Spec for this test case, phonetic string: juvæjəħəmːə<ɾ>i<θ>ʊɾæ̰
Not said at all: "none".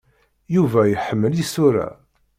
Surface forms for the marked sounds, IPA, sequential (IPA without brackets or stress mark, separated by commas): l, s